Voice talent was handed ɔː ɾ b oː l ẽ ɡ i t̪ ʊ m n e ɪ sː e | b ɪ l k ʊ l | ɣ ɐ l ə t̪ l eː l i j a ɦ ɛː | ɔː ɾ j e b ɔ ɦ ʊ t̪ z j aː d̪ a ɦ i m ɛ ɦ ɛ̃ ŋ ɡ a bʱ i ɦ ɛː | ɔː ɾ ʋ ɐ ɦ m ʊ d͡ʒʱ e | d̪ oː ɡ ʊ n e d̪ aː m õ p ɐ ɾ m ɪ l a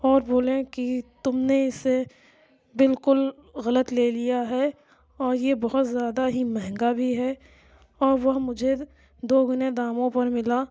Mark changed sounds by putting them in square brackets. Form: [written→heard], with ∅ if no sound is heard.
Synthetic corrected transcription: ɔː ɾ b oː l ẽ [ɡ→k] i t̪ ʊ m n e ɪ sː e | b ɪ l k ʊ l | ɣ ɐ l ə t̪ l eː l i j a ɦ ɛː | ɔː ɾ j e b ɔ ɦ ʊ t̪ z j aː d̪ a ɦ i m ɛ ɦ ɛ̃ ŋ ɡ a bʱ i ɦ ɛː | ɔː ɾ ʋ ɐ ɦ m ʊ d͡ʒʱ e | d̪ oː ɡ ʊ n e d̪ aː m õ p ɐ ɾ m ɪ l a